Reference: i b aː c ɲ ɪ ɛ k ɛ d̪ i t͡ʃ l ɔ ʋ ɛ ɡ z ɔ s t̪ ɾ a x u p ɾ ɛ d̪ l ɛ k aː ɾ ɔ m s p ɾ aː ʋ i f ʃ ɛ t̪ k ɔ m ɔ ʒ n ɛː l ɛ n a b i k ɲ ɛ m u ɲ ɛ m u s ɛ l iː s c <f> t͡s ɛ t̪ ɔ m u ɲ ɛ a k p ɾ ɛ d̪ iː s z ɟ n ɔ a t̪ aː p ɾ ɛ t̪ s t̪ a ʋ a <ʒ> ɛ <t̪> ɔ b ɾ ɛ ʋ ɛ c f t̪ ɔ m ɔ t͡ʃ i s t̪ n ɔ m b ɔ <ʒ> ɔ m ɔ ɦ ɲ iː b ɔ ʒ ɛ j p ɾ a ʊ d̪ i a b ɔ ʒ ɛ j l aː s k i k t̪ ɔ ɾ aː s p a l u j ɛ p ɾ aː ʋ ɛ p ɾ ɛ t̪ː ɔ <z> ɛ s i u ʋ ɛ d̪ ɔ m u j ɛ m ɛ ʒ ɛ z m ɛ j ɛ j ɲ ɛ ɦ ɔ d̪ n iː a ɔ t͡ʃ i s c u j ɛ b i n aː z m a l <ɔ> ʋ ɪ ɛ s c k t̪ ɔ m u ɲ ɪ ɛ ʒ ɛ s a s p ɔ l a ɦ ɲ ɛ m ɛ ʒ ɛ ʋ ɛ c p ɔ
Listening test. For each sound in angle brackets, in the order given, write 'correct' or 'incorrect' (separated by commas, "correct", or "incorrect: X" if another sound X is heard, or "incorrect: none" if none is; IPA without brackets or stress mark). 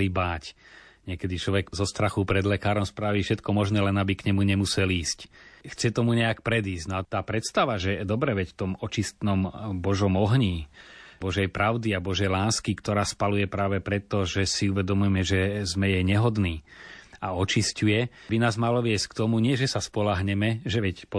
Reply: incorrect: x, correct, incorrect: d̪, correct, incorrect: ʒ, correct